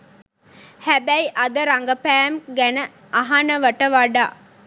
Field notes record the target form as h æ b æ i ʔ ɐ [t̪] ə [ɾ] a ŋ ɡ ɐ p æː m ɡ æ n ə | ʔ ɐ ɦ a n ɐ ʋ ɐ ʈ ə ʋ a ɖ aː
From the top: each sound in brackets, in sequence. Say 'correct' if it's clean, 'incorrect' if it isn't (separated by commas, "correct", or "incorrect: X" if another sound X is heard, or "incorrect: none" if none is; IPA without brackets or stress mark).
incorrect: d̪, correct